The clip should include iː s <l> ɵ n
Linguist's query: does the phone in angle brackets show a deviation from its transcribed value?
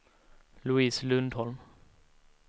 no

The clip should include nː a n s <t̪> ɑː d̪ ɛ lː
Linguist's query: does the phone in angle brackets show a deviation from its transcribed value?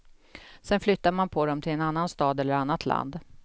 no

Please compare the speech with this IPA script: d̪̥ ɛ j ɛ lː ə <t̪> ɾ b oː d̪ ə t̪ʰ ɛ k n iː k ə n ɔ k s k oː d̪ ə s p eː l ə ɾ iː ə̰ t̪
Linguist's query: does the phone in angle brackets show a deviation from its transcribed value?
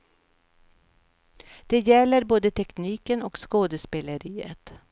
yes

